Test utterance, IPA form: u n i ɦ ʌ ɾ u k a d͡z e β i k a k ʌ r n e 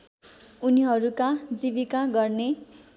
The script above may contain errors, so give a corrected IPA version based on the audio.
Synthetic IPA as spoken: u n i ɦ ʌ ɾ u k a d͡z i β i k a ɡ ʌ r n e